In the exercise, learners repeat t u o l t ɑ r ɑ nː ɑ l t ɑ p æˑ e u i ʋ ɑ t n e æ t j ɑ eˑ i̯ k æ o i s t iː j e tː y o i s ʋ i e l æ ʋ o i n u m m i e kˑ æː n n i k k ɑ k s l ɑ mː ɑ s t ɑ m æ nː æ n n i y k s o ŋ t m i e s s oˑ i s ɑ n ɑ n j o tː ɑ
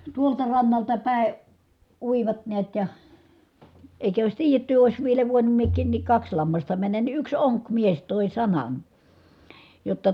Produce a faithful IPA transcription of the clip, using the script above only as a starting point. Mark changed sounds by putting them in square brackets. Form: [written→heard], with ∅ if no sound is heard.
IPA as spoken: t u o l t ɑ r ɑ nː ɑ l t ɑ p æˑ e u i ʋ ɑ t n e æ t j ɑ eˑ i̯ k æ o i s t iː j e tː y o i s ʋ i e l æ ʋ o i n u m m i e kˑ [æː→iː] n n i k k ɑ k s l ɑ mː ɑ s t ɑ m æ nː æ n n i y k s o ŋ [t→k] m i e s [s→t] oˑ i s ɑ n ɑ n j o tː ɑ